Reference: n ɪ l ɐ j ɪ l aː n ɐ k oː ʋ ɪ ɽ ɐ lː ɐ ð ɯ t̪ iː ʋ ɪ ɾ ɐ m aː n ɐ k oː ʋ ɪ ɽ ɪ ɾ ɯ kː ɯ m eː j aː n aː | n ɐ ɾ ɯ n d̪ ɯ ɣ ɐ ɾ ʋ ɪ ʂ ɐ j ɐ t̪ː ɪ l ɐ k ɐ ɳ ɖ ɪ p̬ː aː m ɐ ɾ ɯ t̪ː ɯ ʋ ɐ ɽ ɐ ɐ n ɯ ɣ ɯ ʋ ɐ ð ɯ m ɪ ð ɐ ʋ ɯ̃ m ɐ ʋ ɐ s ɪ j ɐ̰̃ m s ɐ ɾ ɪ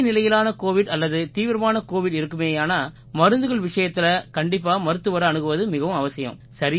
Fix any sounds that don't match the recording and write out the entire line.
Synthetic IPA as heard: n ɪ l ɐ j ɪ l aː n ɐ k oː ʋ ɪ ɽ ɐ lː ɐ ð ɯ t̪ iː ʋ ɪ ɾ ɐ m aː n ɐ k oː ʋ ɪ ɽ ɪ ɾ ɯ kː ɯ m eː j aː n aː | m ɐ ɾ ɯ n d̪ ɯ ɣ ɐ ɭ ʋ ɪ ʂ ɐ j ɐ t̪ː ɪ l ɐ k ɐ ɳ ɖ ɪ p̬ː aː m ɐ ɾ ɯ t̪ː ɯ ʋ ɐ ɾ ɐ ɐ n ɯ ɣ ɯ ʋ ɐ ð ɯ m ɪ ɣ ɐ ʋ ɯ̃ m ɐ ʋ ɐ s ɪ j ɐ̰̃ m s ɐ ɾ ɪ

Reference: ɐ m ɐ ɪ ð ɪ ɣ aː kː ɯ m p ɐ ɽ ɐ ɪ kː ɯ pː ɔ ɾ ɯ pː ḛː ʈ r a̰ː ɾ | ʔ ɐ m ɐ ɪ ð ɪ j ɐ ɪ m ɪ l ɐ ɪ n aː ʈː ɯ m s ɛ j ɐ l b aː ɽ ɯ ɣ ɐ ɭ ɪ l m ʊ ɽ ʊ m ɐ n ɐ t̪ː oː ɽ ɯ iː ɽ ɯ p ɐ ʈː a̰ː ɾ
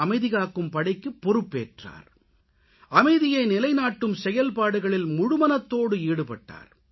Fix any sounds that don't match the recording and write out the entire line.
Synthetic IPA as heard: ɐ m ɐ ɪ ð ɪ ɣ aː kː ɯ m p ɐ ɽ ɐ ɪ kː ɯ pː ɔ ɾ ɯ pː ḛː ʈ r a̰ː ɾ | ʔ ɐ m ɐ ɪ ð ɪ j ɐ ɪ n ɪ l ɐ ɪ n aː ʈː ɯ m s ɛ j ɐ l p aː ɽ ɯ ɣ ɐ ɭ ɪ l m ʊ ɽ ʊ m ɐ n ɐ t̪ː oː ɽ ɯ iː ɽ ɯ p ɐ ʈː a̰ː ɾ

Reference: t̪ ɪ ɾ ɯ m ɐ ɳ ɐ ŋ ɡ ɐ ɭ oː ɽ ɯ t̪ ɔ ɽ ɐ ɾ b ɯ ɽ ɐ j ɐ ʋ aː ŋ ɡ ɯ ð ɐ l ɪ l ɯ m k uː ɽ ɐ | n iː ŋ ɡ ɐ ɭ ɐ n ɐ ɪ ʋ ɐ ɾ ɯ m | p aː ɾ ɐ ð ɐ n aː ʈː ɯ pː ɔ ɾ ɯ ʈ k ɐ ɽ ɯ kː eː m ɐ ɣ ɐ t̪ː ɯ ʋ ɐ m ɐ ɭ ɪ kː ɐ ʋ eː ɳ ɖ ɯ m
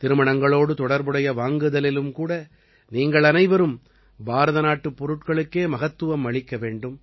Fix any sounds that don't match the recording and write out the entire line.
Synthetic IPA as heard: t̪ ɪ ɾ ɯ m ɐ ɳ ɐ ŋ ɡ ɐ ɭ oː ɽ ɯ t̪ ɔ ɽ ɐ ɾ b ɯ ɽ ɐ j ɐ ʋ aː ŋ ɡ ɯ ð ɐ l ɪ l ɯ m k uː ɽ ɐ | n iː ŋ ɡ ɐ ɭ ɐ n ɐ ɪ ʋ ɐ ɾ ɯ m | b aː ɾ ɐ ð ɐ n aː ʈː ɯ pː ɔ ɾ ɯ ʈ k ɐ ɭ ɯ kː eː m ɐ ɣ ɐ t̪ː ɯ ʋ ɐ m ɐ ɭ ɪ kː ɐ ʋ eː ɳ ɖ ɯ m

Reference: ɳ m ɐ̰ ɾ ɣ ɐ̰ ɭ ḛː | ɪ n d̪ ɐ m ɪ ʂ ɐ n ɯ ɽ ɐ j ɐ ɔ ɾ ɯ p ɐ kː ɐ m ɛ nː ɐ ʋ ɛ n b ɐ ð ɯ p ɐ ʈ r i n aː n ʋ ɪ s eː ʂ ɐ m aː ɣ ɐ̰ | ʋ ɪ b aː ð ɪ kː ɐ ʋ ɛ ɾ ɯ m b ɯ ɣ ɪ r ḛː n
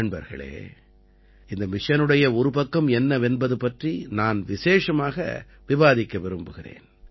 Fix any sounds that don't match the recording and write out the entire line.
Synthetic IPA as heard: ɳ b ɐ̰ ɾ ɣ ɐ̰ ɭ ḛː | ɪ n d̪ ɐ m ɪ ʂ ɐ n ɯ ɽ ɐ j ɐ ɔ ɾ ɯ p ɐ kː ɐ m ɛ nː ɐ ʋ ɛ n b ɐ ð ɯ p ɐ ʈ r i n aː n ʋ ɪ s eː ʂ ɐ m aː ɣ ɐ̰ | ʋ ɪ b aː ð ɪ kː ɐ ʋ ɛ ɾ ɯ m b ɯ ɣ ɪ r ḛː n

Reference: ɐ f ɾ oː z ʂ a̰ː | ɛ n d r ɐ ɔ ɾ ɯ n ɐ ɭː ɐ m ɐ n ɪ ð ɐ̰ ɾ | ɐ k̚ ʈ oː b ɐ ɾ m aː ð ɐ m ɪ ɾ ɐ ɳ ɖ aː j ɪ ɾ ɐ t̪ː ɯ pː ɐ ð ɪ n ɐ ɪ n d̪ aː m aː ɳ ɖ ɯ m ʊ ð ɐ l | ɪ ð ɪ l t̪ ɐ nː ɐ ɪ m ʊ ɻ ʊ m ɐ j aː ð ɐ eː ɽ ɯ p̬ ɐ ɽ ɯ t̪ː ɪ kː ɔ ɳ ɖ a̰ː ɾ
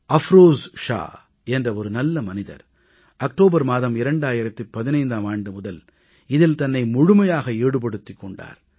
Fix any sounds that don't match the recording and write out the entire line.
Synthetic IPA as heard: ɐ f ɾ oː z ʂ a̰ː | ɛ n d r ɐ ɔ ɾ ɯ n ɐ lː ɐ m ɐ n ɪ ð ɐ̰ ɾ | ɐ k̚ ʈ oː b ɐ ɾ m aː ð ɐ m ɪ ɾ ɐ ɳ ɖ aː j ɪ ɾ ɐ t̪ː ɯ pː ɐ ð ɪ n ɐ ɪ n d̪ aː m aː ɳ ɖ ɯ m ʊ ð ɐ l | ɪ ð ɪ l t̪ ɐ nː ɐ ɪ m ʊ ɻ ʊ m ɐ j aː ɣ ɐ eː ɽ ɯ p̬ ɐ ɽ ɯ t̪ː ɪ kː ɔ ɳ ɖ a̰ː ɾ

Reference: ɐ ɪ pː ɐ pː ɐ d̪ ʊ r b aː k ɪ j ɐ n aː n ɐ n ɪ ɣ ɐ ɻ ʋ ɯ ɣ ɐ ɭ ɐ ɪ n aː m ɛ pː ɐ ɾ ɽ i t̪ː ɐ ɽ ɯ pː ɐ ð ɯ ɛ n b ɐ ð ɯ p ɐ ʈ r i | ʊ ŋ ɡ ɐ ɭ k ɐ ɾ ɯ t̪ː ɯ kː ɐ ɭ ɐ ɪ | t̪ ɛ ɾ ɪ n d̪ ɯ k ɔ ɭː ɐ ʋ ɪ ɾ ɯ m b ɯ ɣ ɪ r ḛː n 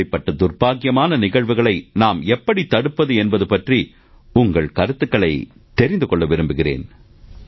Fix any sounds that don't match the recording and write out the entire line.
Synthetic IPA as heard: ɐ ɪ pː ɐ ʈː ɐ d̪ ʊ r b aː k ɪ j ɐ m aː n ɐ n ɪ ɣ ɐ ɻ ʋ ɯ ɣ ɐ ɭ ɐ ɪ n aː m ɛ pː ɐ ɽ i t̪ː ɐ ɽ ɯ pː ɐ ð ɯ ɛ n b ɐ ð ɯ p ɐ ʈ r i | ʊ ŋ ɡ ɐ ɭ k ɐ ɾ ɯ t̪ː ɯ kː ɐ ɭ ɐ ɪ | t̪ ɛ ɾ ɪ n d̪ ɯ k ɔ ɭː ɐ ʋ ɪ ɾ ɯ m b ɯ ɣ ɪ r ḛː n

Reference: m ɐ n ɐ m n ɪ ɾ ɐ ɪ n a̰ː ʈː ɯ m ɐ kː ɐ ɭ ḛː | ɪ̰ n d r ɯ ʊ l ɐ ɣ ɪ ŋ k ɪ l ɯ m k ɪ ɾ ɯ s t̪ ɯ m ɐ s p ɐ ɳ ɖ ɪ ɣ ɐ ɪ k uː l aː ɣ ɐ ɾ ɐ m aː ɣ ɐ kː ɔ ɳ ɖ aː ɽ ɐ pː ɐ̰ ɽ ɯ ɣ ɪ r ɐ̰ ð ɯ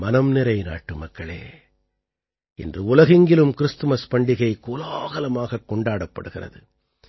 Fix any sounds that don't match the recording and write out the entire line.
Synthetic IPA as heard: m ɐ n ɐ m n ɪ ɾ ɐ ɪ n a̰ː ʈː ɯ m ɐ kː ɐ ɭ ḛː | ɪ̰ n d r ɯ ʊ l ɐ ɣ ɪ ŋ ɡ ɪ l ɯ m k ɪ ɾ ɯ s t̪ ɯ m ɐ s p ɐ ɳ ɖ ɪ ɣ ɐ ɪ k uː l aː ɣ ɐ l ɐ m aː ɣ ɐ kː ɔ ɳ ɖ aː ɽ ɐ pː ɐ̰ ɽ ɯ ɣ ɪ r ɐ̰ ð ɯ

